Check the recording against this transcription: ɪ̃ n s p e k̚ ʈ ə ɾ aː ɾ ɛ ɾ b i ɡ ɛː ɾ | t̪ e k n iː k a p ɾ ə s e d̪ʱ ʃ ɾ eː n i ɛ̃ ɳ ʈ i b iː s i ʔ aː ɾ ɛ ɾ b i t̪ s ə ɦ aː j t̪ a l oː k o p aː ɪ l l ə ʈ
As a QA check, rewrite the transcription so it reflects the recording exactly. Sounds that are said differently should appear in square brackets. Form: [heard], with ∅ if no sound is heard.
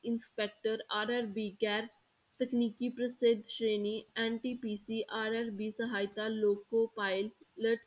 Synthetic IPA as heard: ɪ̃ n s p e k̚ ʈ ə ɾ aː ɾ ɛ ɾ b i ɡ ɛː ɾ | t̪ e k n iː k [i] p ɾ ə s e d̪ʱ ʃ ɾ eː n i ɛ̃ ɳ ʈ i [p] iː s i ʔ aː ɾ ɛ ɾ b i [∅] s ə ɦ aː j t̪ a l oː k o p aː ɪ l l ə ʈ